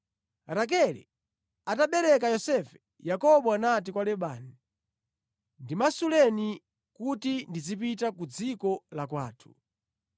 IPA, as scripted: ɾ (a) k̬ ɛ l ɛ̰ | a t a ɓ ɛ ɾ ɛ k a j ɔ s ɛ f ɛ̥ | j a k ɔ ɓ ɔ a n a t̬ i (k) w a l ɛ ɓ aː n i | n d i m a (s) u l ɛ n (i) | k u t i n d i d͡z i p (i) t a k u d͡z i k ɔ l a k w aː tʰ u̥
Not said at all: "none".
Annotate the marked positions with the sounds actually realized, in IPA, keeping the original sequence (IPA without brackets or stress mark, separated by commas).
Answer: a, k, s, i, i